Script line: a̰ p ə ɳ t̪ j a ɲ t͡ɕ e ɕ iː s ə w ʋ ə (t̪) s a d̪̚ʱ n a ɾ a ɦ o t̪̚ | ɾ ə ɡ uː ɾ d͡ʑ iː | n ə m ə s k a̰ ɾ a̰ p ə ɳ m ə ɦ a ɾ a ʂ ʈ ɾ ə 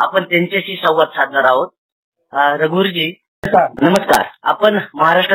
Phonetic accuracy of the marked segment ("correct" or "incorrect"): correct